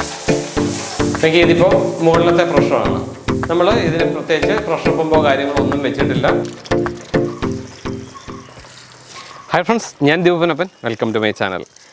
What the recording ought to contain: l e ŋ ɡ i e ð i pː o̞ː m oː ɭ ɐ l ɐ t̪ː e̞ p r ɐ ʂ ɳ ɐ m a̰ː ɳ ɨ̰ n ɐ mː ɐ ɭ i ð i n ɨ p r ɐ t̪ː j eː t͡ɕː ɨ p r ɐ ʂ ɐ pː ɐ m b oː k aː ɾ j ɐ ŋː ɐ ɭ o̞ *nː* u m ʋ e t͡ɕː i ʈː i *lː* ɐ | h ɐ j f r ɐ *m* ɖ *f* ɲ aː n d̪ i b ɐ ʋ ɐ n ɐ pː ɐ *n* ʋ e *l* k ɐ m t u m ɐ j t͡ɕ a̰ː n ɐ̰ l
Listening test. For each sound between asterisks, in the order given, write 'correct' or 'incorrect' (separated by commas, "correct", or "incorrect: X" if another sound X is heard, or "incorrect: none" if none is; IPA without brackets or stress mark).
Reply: correct, correct, incorrect: ɳ, incorrect: s, correct, correct